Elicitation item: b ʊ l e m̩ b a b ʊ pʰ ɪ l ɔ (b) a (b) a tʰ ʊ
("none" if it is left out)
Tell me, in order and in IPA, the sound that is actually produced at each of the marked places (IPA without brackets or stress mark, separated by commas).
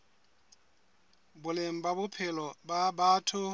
b, b